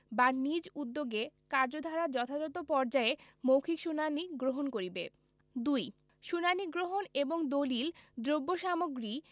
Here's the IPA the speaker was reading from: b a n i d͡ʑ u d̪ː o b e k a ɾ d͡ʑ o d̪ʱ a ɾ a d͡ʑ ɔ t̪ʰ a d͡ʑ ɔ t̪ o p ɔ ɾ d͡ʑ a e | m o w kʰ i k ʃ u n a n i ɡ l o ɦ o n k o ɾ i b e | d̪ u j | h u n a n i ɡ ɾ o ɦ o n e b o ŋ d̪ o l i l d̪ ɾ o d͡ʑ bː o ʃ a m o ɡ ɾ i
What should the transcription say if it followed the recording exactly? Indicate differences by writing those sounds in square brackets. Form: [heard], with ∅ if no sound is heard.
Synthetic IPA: b a n i d͡ʑ u d̪ː o [ɡ] e k a ɾ d͡ʑ o d̪ʱ a ɾ a d͡ʑ ɔ t̪ʰ a d͡ʑ ɔ t̪ o p ɔ ɾ d͡ʑ a e | m o w kʰ i k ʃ u n a n i ɡ [ɾ] o ɦ o n k o ɾ i b e | d̪ u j | [ʃ] u n a n i ɡ ɾ o ɦ o n e b o ŋ d̪ o l i l d̪ ɾ o [∅] bː o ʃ a m o ɡ ɾ i